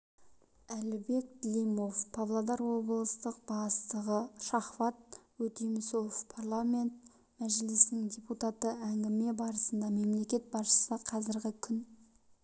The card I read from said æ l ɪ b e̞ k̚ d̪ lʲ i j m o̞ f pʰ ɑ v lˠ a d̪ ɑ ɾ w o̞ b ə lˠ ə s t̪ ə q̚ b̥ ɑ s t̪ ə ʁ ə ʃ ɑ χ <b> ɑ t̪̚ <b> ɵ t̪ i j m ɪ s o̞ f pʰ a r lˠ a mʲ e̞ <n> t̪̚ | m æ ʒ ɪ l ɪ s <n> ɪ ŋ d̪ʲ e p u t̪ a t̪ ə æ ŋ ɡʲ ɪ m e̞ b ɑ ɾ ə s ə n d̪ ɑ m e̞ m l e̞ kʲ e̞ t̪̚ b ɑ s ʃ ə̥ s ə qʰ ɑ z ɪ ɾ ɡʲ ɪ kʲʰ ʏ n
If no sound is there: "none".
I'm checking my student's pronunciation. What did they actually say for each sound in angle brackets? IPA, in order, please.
v, w, n, n

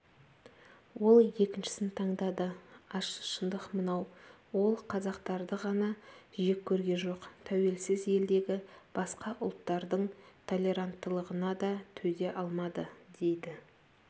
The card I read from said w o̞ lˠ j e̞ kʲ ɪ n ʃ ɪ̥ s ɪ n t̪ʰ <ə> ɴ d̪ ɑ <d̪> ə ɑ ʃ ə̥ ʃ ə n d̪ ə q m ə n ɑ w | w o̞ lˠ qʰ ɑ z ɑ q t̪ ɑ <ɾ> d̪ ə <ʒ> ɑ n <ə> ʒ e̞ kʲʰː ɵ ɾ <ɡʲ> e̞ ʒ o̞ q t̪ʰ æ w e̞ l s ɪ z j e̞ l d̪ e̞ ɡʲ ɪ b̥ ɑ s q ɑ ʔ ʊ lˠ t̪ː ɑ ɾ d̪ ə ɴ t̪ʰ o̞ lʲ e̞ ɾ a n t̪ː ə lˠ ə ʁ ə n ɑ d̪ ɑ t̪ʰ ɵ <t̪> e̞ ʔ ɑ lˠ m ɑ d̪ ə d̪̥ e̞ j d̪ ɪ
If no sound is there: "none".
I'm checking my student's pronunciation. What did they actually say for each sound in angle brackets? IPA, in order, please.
ɑ, d̪, ɾ, ʁ, ɑ, ɡʲ, d̪

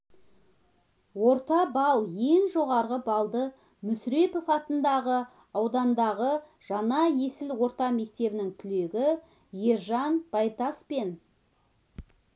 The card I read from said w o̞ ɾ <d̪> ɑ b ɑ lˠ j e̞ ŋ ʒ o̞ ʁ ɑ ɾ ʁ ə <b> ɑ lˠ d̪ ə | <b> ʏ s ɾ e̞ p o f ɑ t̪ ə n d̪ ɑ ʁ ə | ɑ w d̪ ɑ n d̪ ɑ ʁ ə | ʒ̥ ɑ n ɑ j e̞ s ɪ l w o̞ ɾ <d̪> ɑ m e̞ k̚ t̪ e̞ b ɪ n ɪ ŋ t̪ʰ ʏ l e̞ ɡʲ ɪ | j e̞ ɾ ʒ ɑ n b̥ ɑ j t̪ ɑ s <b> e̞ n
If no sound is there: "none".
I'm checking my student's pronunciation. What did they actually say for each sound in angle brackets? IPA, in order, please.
t̪, b, m, t̪, p

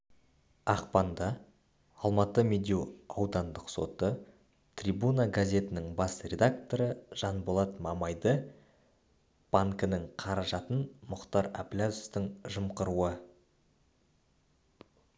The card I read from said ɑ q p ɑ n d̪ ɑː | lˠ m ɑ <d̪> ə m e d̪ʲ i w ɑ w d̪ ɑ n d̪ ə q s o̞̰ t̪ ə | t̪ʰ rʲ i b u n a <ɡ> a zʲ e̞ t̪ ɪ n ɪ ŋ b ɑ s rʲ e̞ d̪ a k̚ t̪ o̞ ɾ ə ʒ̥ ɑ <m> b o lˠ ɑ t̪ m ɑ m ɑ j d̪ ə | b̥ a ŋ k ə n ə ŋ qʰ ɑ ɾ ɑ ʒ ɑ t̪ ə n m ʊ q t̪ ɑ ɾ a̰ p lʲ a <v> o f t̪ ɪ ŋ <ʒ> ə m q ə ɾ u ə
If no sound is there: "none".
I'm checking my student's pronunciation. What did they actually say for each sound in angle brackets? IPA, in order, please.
t̪, ɡ, n, z, ʒ

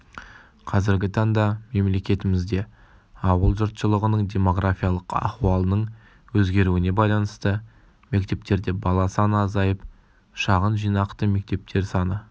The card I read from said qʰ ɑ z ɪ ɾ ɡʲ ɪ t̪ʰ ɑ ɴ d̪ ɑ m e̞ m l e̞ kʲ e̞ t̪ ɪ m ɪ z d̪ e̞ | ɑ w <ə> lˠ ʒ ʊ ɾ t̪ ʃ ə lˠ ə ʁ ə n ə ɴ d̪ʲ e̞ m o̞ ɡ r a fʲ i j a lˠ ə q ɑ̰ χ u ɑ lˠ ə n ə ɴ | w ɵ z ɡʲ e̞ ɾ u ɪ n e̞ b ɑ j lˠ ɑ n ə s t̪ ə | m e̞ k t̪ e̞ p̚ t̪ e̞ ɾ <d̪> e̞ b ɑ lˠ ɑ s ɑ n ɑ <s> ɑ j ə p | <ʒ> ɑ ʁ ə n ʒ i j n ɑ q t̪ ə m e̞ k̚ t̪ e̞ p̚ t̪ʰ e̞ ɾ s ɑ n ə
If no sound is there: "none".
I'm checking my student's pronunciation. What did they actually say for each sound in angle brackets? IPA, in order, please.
ə, d̪, z, ʃ

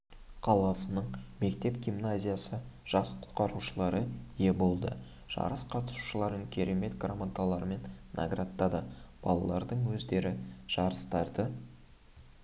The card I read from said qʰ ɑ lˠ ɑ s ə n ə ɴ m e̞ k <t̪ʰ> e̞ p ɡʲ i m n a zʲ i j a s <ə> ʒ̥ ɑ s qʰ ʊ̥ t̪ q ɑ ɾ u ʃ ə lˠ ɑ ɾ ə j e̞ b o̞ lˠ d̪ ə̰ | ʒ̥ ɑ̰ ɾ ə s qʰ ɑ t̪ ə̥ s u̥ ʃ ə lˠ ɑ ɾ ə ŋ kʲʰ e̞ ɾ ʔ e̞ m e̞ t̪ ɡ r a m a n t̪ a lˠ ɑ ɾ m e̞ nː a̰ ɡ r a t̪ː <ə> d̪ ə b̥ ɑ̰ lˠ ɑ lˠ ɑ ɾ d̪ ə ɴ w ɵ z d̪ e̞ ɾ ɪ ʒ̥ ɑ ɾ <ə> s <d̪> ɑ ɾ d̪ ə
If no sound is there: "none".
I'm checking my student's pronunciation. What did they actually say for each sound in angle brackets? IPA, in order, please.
t̪, ə, ɑ, ə, t̪

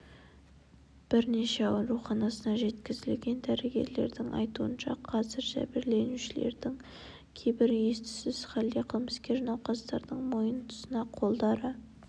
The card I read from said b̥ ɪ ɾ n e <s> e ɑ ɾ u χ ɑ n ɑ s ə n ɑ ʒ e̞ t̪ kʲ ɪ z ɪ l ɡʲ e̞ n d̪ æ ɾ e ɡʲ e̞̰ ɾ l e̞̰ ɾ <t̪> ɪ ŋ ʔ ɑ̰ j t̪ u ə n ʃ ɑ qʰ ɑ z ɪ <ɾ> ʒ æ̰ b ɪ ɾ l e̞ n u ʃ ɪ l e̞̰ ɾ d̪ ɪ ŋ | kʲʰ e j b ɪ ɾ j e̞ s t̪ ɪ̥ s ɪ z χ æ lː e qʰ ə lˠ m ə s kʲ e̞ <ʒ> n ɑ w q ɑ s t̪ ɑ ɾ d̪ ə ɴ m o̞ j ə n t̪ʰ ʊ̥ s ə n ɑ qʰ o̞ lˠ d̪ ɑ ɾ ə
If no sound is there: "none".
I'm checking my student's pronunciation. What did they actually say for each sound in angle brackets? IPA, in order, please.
ʃ, d̪, ɾ, ʒ

